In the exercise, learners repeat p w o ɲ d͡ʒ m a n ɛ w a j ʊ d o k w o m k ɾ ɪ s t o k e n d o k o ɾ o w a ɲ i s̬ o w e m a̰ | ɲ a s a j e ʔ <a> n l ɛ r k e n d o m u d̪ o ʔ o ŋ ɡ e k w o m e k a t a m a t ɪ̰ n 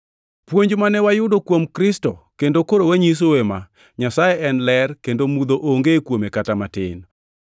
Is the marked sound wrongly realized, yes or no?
yes